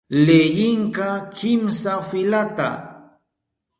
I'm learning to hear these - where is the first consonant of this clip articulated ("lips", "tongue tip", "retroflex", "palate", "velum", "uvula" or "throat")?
tongue tip